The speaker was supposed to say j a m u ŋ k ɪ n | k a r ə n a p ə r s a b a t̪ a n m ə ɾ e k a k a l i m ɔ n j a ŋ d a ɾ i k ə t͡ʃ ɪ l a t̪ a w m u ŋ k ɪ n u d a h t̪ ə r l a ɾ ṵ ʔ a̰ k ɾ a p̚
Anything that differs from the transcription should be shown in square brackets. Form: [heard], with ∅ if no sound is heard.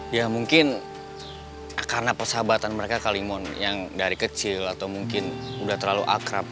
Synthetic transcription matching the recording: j a m u ŋ k ɪ n | k a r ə n a p ə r s a b a t̪ a n m ə ɾ e k a k a l i m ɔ n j a ŋ d a ɾ i k ə t͡ʃ ɪ l a t̪ a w m u ŋ k ɪ n u d a h t̪ ə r l a [l] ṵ ʔ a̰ k ɾ a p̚